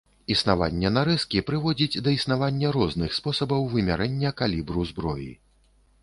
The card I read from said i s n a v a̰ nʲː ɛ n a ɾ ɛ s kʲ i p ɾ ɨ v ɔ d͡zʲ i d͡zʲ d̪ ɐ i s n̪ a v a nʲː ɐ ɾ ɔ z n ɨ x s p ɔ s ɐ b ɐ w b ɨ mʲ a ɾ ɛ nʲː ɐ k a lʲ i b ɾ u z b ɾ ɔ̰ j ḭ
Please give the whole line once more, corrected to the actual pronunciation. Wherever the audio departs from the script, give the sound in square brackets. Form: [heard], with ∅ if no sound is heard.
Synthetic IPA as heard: i s n a v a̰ nʲː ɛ n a ɾ ɛ s kʲ i p ɾ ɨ v ɔ d͡zʲ i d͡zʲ d̪ ɐ i s n̪ a v a nʲː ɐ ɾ ɔ z n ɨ x s p ɔ s ɐ b ɐ w [v] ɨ mʲ a ɾ ɛ nʲː ɐ k a lʲ i b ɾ u z b ɾ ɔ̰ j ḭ